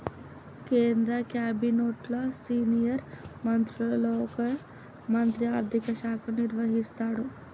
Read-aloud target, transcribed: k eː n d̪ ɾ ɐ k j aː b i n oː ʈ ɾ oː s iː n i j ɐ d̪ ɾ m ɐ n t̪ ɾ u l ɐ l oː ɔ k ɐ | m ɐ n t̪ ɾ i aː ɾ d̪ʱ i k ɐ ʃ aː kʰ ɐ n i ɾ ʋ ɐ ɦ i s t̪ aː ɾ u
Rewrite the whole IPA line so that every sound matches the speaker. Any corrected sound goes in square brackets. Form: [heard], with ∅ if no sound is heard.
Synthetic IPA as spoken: k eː n d̪ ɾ ɐ k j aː b i n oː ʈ [l] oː s iː n i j ɐ [∅] ɾ m ɐ n t̪ ɾ u l ɐ l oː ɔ k ɐ | m ɐ n t̪ ɾ i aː ɾ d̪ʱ i k ɐ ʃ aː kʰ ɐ n i ɾ ʋ ɐ ɦ i s t̪ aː [ɽ] u

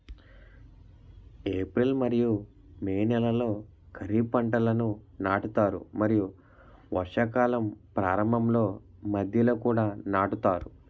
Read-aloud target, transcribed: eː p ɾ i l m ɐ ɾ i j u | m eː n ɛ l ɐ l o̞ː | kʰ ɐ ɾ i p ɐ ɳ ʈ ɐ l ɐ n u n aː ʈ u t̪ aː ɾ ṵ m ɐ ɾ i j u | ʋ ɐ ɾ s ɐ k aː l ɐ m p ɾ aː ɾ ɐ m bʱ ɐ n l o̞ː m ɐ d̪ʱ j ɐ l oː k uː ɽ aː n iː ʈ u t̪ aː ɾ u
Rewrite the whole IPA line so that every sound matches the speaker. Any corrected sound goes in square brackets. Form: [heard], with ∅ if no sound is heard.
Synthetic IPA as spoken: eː p ɾ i l m ɐ ɾ i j u | m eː n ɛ l ɐ l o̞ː | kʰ ɐ ɾ i p ɐ ɳ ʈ ɐ l ɐ n u n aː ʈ u t̪ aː ɾ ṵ m ɐ ɾ i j u | ʋ ɐ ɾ [ʂ] ɐ k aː l ɐ m p ɾ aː ɾ ɐ m bʱ ɐ [m] l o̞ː m ɐ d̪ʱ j ɐ l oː k uː ɽ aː n [aː] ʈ u t̪ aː ɾ u

